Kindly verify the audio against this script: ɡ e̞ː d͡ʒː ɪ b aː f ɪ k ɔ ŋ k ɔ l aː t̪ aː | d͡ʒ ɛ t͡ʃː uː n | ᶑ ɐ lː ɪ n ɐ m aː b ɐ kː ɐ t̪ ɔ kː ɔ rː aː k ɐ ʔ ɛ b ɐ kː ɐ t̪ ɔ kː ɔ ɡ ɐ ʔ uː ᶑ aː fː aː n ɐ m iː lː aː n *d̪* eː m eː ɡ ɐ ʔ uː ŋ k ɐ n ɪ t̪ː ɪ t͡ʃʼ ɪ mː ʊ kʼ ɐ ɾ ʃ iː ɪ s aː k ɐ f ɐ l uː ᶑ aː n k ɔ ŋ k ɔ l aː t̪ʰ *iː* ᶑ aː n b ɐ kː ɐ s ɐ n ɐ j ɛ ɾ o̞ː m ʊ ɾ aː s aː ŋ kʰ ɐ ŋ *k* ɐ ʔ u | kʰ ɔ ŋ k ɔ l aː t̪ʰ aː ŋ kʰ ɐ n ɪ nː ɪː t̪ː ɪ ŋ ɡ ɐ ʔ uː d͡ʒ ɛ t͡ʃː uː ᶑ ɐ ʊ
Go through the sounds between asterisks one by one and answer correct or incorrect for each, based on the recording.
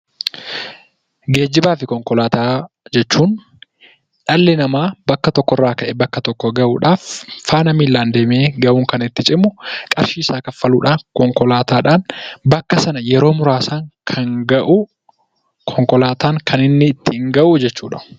correct, incorrect, incorrect

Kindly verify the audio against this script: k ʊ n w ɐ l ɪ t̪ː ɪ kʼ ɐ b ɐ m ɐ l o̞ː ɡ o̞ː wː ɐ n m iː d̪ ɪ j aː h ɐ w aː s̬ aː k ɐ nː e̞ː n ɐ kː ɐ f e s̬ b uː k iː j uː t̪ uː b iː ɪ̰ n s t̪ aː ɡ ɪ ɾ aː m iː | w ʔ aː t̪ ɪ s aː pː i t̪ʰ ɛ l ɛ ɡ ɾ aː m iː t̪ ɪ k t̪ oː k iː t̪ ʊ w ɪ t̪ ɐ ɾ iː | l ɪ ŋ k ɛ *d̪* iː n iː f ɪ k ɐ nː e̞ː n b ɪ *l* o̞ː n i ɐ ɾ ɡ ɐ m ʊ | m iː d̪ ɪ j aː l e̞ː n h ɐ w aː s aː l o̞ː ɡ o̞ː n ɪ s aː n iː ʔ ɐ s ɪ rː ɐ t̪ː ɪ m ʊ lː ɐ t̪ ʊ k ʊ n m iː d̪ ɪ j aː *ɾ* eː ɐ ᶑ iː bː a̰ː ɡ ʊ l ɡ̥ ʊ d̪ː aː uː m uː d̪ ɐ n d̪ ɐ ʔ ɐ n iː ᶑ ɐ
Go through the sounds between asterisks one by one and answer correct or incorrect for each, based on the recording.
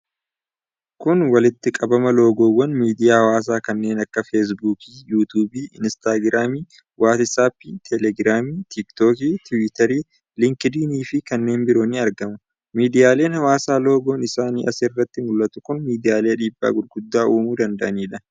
correct, incorrect, incorrect

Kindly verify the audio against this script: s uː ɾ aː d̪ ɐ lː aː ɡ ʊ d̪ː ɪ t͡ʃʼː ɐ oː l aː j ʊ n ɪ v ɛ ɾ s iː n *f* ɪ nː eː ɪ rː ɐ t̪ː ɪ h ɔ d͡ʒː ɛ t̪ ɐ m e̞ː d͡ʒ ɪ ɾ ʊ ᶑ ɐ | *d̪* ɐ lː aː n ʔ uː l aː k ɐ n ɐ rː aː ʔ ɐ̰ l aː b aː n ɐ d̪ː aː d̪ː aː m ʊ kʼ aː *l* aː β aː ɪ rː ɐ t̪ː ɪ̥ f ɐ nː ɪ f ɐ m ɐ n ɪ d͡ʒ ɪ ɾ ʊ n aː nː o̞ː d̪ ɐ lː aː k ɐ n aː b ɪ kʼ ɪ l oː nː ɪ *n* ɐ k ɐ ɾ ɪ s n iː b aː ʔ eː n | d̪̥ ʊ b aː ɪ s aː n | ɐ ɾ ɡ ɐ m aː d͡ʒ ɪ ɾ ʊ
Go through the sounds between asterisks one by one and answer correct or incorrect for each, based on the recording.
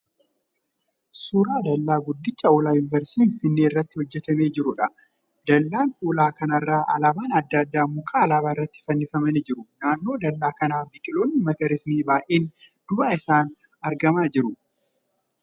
correct, correct, correct, incorrect

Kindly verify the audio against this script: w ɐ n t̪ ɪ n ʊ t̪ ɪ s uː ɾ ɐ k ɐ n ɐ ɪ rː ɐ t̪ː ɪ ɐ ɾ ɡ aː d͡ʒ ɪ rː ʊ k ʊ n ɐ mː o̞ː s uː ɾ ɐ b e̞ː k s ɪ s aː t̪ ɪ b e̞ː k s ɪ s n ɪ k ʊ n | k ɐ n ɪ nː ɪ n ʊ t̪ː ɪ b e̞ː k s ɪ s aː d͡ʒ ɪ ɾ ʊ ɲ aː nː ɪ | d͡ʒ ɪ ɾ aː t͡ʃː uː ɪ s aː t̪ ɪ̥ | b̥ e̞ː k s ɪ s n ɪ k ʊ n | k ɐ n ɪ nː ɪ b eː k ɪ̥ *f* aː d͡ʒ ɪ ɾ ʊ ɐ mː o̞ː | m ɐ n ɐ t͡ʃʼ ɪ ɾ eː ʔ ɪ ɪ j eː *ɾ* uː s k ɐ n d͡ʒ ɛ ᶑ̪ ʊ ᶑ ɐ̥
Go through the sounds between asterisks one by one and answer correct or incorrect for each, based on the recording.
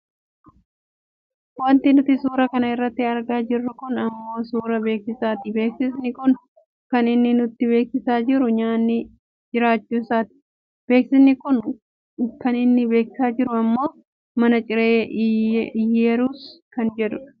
incorrect, correct

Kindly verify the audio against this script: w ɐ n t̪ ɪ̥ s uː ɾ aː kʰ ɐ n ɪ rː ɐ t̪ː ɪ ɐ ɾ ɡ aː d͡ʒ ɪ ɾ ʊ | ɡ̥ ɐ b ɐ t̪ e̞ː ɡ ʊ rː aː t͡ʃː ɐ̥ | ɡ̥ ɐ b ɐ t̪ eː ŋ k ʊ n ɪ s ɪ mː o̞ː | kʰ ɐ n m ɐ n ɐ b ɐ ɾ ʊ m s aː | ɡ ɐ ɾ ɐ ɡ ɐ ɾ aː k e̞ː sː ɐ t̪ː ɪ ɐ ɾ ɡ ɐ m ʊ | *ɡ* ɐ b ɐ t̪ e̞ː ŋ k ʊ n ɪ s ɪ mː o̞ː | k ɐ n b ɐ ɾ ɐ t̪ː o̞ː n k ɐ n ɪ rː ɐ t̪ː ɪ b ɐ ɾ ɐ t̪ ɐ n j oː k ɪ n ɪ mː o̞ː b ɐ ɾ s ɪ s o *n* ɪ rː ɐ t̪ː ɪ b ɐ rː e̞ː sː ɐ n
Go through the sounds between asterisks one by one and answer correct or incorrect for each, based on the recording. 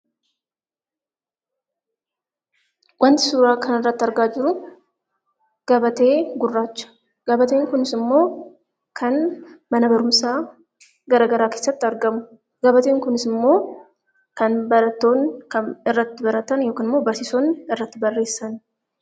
correct, correct

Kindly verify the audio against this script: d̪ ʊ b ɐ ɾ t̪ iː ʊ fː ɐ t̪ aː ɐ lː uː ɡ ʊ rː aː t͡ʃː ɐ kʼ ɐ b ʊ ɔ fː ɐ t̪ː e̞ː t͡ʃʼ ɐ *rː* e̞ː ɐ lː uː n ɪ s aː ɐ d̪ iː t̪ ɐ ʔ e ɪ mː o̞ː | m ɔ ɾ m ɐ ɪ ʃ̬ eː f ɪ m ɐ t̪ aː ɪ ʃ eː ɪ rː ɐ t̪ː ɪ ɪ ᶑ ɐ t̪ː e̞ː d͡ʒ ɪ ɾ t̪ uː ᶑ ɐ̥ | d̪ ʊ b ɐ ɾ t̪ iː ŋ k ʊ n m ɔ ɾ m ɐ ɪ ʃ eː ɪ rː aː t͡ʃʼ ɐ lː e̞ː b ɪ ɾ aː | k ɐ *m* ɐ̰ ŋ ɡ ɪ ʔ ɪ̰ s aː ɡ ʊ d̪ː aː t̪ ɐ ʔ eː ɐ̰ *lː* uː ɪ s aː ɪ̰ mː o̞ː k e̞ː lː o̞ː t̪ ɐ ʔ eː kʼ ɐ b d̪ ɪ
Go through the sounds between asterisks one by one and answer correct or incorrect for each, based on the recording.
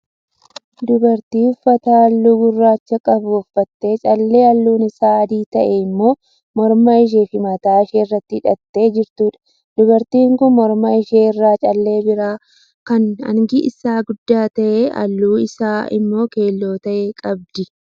incorrect, incorrect, correct

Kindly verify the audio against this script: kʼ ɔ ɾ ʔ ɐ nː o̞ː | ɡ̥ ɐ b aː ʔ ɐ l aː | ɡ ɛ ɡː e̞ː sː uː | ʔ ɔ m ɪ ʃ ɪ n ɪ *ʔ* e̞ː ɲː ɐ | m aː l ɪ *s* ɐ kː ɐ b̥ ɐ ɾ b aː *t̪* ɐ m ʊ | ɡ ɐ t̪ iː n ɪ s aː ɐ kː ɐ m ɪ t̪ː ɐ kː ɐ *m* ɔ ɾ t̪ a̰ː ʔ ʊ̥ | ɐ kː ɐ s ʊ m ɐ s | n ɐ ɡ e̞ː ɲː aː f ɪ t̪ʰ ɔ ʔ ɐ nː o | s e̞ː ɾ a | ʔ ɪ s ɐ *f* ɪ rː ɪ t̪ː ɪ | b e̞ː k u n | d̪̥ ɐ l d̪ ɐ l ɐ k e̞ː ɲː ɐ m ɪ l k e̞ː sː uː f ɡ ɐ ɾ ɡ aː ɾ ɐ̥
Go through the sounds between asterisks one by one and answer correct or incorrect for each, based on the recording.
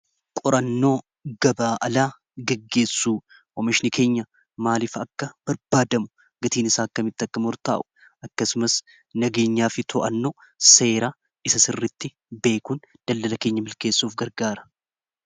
incorrect, incorrect, incorrect, correct, incorrect

